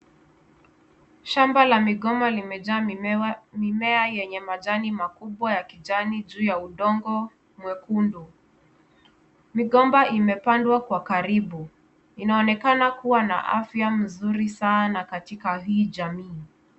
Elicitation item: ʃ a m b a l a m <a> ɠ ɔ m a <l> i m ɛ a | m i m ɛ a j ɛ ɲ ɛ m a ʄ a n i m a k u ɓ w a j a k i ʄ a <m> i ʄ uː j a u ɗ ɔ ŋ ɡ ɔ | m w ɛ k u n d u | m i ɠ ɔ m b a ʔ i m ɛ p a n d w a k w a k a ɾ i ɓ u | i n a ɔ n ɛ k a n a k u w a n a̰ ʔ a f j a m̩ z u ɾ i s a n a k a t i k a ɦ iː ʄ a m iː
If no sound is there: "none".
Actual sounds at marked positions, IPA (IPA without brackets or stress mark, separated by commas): i, l, n